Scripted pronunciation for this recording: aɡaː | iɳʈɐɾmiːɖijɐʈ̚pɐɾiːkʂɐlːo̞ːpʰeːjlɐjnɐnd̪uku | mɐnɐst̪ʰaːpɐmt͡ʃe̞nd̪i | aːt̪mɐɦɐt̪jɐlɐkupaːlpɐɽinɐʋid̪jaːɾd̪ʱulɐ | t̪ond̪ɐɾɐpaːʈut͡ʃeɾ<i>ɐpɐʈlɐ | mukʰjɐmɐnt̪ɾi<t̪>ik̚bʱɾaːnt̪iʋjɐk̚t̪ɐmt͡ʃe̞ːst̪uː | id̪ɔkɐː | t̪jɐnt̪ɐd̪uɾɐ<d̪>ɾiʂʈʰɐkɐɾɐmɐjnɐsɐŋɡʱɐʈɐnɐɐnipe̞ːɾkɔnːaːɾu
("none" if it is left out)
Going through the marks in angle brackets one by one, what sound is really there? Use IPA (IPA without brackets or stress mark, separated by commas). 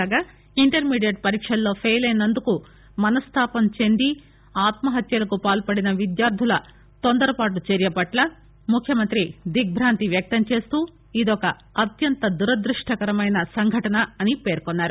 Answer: j, d̪, d̪